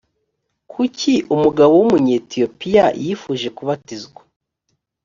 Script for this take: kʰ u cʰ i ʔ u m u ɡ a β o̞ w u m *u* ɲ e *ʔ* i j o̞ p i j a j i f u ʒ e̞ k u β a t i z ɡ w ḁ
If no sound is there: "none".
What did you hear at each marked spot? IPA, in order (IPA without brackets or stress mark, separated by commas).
u, t